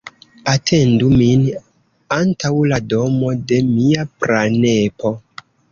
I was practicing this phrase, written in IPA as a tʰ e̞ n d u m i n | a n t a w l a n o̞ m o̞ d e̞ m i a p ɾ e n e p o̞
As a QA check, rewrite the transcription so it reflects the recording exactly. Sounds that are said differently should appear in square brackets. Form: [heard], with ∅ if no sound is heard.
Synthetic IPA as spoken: a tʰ e̞ n d u m i n | a n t a w l a [d] o̞ m o̞ d e̞ m i a p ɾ [a] n e p o̞